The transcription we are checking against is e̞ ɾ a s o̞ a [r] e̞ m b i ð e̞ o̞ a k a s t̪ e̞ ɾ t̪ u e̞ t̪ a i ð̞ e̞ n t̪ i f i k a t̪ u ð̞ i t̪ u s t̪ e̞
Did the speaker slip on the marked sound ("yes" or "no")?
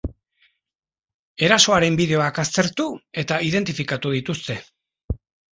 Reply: yes